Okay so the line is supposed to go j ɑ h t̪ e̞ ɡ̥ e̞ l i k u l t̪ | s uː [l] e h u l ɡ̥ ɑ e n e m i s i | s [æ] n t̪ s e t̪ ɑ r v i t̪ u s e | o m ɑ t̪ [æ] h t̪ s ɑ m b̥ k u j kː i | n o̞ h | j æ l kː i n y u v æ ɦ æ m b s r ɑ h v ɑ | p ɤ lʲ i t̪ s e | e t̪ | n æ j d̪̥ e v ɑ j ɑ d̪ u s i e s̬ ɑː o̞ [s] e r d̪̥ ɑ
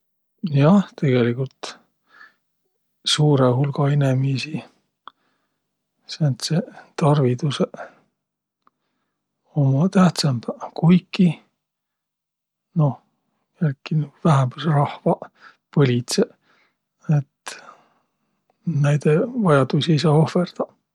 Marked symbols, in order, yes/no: no, no, yes, no

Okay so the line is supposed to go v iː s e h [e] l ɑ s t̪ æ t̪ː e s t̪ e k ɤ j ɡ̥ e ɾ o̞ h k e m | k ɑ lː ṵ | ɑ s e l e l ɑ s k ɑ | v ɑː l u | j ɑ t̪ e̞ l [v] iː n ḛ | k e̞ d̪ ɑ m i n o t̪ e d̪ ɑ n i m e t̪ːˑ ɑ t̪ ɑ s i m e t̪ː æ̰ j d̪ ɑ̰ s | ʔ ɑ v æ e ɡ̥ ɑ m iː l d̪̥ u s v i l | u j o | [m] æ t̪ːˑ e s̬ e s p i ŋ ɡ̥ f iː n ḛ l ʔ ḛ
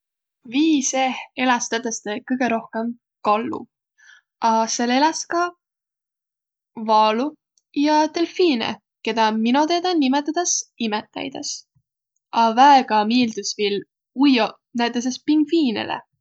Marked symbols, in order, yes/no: yes, no, no

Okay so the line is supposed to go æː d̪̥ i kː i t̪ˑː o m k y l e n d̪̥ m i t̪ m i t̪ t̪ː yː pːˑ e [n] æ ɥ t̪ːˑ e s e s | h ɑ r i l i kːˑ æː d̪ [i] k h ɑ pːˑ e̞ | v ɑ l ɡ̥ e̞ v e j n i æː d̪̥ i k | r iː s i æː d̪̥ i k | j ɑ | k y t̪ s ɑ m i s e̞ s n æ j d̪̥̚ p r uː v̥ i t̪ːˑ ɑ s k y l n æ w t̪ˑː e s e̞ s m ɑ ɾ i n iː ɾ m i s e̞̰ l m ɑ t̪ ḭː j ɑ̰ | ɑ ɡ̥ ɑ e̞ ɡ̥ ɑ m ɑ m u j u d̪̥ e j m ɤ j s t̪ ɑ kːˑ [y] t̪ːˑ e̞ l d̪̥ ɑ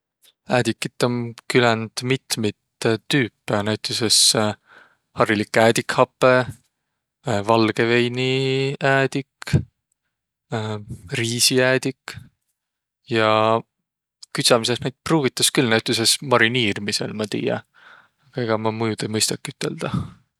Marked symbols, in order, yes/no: yes, yes, yes

